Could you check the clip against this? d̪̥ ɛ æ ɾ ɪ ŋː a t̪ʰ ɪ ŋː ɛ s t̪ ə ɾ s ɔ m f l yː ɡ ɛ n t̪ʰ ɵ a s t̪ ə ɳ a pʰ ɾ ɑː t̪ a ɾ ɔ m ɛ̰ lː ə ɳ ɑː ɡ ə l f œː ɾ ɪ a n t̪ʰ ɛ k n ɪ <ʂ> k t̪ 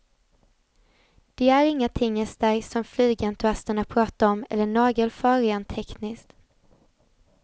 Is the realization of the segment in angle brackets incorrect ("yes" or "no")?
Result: yes